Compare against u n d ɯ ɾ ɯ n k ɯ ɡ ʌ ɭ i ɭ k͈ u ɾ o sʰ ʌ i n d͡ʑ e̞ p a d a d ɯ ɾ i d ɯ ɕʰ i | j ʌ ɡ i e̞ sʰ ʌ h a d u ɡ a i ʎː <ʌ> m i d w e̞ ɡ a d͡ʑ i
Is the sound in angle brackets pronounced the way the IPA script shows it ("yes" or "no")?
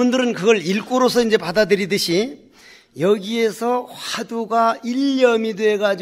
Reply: yes